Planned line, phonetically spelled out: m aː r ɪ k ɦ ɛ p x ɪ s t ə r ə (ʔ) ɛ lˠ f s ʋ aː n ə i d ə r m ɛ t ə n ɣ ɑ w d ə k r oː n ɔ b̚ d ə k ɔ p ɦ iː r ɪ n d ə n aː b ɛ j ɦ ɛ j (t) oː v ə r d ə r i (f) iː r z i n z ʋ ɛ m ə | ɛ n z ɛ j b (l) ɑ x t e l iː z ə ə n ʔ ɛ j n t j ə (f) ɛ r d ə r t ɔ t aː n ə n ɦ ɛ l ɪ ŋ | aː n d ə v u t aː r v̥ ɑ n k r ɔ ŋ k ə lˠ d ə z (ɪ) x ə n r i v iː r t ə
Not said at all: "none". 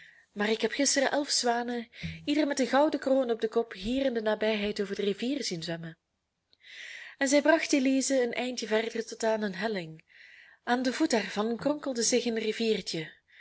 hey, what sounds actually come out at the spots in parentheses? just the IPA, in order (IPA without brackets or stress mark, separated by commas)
ʔ, t, v, r, v, ɪ